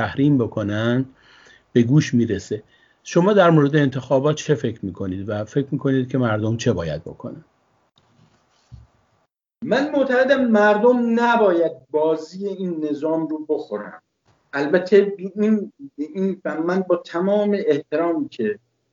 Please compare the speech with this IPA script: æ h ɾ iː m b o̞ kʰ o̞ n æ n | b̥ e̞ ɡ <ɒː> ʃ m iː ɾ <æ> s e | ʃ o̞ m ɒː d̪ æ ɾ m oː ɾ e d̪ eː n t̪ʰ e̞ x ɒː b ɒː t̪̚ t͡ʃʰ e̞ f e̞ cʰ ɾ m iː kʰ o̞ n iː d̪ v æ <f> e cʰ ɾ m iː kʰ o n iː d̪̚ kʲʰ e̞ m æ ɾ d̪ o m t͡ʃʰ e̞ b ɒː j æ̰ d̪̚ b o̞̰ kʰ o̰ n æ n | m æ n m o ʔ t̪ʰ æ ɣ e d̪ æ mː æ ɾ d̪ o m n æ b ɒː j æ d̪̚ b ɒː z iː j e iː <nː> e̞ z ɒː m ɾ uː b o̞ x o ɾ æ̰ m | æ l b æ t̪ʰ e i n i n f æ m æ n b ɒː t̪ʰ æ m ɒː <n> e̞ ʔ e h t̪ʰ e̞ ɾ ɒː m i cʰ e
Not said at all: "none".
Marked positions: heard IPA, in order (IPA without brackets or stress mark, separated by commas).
uː, e, f, nː, m